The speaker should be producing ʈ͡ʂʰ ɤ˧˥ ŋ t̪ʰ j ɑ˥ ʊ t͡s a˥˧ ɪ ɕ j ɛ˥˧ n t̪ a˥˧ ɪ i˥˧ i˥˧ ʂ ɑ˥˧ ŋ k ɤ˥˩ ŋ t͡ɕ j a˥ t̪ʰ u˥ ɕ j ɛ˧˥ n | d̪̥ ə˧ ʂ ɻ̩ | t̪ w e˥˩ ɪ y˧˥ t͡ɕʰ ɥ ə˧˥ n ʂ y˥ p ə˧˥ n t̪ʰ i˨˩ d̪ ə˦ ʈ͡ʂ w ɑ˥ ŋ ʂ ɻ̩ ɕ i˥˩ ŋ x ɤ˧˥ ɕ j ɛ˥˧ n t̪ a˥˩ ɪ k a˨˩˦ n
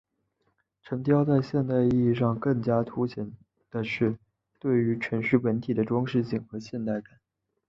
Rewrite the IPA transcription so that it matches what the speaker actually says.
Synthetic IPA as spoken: ʈ͡ʂʰ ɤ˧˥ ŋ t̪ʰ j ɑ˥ ʊ t͡s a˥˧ ɪ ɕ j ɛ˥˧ n t̪ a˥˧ ɪ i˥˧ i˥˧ ʂ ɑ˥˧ ŋ k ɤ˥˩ ŋ t͡ɕ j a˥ t̪ʰ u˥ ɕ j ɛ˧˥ n | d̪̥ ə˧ ʂ ɻ̩ | t̪ w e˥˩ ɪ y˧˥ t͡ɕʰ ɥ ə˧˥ n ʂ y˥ p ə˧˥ n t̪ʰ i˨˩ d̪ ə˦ ʈ͡ʂ w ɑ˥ ŋ ʂ ɻ̩ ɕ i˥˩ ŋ x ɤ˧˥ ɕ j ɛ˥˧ n t̪ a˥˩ ɪ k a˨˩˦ n

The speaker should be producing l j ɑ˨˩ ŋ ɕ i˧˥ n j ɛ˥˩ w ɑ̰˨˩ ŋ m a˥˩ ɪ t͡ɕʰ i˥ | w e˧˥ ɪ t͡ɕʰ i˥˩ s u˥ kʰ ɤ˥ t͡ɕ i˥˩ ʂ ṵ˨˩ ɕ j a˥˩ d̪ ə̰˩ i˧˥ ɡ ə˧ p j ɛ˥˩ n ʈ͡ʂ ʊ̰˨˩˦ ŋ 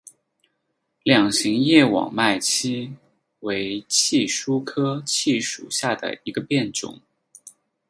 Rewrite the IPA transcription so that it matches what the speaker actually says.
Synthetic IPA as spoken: l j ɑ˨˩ ŋ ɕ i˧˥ ŋ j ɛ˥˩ w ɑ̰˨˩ ŋ m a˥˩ ɪ t͡ɕʰ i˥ | w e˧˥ ɪ t͡ɕʰ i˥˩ ʂ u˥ kʰ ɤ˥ t͡ɕʰ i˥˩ ʂ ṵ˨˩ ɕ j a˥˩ d̪ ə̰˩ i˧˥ ɡ ə˧ p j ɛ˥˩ n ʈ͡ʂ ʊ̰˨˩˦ ŋ

